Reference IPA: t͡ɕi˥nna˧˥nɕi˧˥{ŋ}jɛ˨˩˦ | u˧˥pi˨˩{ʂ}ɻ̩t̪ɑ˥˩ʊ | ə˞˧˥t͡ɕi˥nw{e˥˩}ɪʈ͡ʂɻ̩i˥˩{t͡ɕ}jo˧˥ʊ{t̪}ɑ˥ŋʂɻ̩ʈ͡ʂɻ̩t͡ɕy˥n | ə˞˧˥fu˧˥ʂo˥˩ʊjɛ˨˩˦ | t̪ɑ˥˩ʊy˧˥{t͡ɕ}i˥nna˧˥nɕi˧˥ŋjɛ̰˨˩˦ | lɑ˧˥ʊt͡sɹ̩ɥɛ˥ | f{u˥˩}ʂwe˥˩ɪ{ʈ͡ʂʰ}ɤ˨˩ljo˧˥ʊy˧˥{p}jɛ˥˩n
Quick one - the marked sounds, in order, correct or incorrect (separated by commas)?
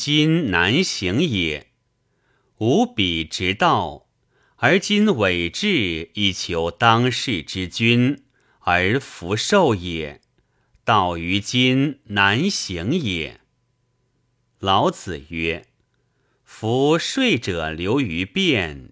correct, incorrect, incorrect, incorrect, correct, correct, incorrect, incorrect, correct